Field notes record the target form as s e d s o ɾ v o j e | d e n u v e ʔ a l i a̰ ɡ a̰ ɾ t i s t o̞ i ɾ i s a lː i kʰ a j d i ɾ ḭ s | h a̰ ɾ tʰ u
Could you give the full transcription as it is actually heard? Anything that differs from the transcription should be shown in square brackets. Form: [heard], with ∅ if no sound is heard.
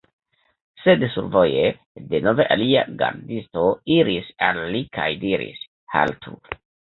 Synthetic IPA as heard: s e d s [u] ɾ v o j e | d e n [o] v e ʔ a l i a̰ ɡ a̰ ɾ [d] i s t o̞ i ɾ i s a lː i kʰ a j d i ɾ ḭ s | h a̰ [l] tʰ u